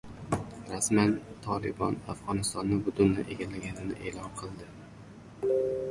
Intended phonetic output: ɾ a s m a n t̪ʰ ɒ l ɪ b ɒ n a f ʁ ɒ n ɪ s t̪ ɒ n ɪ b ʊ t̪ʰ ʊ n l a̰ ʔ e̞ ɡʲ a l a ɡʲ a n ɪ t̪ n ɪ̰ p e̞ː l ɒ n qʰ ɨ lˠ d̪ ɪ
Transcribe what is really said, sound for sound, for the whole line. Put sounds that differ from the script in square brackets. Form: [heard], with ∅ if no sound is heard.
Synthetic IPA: ɾ a s m a n t̪ʰ ɒ l ɪ b ɒ n a f ʁ ɒ n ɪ s t̪ ɒ [nː] ɪ b ʊ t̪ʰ ʊ n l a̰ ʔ e̞ ɡʲ a l a ɡʲ a n ɪ [∅] n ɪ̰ [ʔ] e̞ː l ɒ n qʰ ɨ lˠ d̪ ɪ